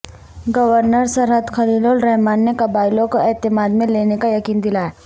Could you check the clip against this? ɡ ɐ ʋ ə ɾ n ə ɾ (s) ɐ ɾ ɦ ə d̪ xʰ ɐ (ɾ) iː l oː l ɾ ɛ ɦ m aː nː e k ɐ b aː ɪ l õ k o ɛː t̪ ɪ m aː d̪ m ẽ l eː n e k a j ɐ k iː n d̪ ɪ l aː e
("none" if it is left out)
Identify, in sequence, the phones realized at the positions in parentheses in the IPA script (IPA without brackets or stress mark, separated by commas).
s, l